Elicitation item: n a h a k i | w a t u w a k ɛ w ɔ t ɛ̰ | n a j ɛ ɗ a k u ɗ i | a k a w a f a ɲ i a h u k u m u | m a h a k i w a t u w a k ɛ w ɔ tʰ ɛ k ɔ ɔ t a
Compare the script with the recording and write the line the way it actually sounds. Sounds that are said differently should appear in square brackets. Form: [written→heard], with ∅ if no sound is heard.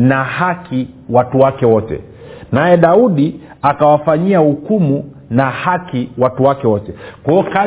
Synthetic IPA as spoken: n a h a k i | w a t u w a k ɛ w ɔ t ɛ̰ | n a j ɛ ɗ a [k→∅] u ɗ i | a k a w a f a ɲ i a h u k u m u | [m→n] a h a k i w a t u w a k ɛ w ɔ [tʰ→t] ɛ k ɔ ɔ [t→k] a